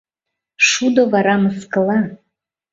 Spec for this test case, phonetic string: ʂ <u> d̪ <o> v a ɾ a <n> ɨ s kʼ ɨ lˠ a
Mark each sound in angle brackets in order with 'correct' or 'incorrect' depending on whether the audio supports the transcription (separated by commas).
correct, correct, incorrect